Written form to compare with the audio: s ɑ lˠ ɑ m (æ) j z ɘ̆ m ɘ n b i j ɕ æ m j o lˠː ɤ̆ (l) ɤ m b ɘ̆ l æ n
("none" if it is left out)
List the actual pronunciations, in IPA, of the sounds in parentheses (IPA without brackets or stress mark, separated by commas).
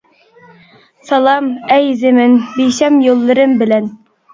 æ, ɾ